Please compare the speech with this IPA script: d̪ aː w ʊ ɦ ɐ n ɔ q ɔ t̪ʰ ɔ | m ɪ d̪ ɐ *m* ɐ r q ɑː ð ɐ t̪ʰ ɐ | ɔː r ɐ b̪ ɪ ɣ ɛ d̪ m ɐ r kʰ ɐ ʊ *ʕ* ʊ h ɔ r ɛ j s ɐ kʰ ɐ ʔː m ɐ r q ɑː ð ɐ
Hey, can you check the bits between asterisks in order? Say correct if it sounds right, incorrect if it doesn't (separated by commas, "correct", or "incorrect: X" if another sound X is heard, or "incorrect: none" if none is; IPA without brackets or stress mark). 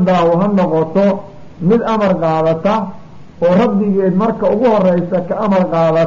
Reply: correct, incorrect: ɣ